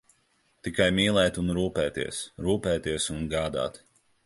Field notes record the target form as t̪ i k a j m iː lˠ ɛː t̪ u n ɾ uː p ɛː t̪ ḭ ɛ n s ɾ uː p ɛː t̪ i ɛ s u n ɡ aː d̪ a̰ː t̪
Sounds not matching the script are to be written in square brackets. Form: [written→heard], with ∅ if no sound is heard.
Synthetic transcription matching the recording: t̪ i k a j m iː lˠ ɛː t̪ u n ɾ uː p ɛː t̪ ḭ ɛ [n→∅] s ɾ uː p ɛː t̪ i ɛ s u n ɡ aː d̪ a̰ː t̪